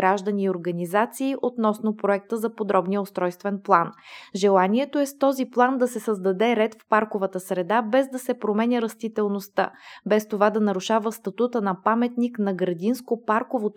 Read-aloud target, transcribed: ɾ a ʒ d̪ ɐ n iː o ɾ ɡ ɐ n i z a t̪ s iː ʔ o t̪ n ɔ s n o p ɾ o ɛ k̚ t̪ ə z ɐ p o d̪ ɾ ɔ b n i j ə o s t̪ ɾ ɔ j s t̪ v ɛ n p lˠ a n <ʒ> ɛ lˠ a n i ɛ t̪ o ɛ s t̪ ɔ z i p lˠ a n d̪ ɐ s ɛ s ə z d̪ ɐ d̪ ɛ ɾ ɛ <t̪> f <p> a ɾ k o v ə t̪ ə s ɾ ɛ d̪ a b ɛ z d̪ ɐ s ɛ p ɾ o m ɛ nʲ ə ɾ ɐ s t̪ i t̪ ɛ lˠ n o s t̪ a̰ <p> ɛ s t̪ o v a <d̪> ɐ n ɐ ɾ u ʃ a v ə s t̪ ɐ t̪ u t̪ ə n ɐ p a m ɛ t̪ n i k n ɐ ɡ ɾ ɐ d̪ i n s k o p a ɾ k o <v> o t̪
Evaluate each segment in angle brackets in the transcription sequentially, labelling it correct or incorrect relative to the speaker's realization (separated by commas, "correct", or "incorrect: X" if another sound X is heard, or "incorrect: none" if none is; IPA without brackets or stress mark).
correct, correct, correct, incorrect: b, correct, correct